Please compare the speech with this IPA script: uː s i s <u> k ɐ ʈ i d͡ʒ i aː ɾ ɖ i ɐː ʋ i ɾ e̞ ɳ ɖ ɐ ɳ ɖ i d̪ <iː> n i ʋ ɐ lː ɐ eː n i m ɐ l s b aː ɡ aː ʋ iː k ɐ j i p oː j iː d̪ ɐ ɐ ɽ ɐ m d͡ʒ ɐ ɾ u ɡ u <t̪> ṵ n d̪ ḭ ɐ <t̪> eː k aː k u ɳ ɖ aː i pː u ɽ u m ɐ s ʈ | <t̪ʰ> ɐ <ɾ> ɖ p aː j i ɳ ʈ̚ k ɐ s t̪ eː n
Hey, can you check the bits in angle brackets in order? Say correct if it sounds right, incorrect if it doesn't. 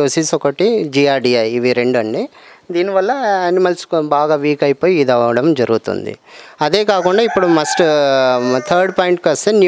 incorrect: ɔ, correct, correct, incorrect: d̪, correct, correct

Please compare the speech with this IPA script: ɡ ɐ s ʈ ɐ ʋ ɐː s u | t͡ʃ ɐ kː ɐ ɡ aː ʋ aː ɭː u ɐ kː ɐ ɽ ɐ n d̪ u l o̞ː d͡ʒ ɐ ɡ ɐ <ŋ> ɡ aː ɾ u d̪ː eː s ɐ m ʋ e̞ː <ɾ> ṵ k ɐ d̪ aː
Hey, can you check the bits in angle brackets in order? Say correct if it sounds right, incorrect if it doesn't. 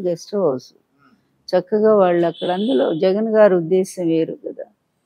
incorrect: n, correct

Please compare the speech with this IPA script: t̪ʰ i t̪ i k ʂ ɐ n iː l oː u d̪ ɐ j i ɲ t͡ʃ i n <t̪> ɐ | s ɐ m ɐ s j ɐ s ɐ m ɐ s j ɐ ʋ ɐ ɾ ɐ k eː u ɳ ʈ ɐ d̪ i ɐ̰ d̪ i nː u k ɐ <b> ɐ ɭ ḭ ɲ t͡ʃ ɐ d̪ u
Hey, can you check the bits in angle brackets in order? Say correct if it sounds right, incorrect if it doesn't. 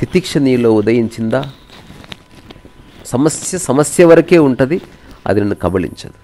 incorrect: d̪, correct

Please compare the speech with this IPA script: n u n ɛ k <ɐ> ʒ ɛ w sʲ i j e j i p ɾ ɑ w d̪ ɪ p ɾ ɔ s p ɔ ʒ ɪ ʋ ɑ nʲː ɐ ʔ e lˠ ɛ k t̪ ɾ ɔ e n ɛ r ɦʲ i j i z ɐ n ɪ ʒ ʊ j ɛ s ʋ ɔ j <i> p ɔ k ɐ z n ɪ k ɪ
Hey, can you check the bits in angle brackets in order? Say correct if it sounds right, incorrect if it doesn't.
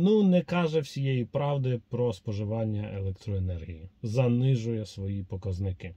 incorrect: ɑ, correct

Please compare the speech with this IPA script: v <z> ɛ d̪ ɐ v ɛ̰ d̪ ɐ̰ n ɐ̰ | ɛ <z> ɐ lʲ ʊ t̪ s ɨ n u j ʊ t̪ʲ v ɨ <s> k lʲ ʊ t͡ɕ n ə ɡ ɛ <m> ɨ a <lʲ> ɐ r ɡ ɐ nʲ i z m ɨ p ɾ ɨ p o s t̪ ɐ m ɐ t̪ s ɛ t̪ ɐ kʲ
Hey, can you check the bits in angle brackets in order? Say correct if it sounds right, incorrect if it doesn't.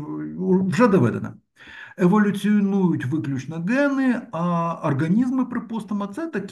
incorrect: ʐ, incorrect: v, incorrect: none, incorrect: n, incorrect: none

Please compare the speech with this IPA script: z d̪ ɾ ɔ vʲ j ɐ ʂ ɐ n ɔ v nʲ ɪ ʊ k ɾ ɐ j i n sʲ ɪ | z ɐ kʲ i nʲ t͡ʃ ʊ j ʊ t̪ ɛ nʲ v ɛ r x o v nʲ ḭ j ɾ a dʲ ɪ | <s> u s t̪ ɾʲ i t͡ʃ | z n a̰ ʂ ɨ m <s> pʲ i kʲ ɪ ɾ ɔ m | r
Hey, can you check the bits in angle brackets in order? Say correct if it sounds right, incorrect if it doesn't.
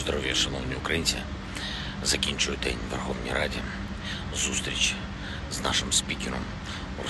incorrect: z, correct

